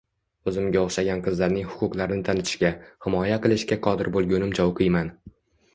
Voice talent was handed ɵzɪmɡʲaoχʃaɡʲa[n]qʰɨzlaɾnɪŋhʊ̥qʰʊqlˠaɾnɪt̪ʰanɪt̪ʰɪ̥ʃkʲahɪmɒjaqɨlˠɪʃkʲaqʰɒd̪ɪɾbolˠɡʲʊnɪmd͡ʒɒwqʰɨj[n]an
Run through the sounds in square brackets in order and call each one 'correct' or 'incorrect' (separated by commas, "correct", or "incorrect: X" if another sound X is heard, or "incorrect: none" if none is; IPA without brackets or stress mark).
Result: correct, incorrect: m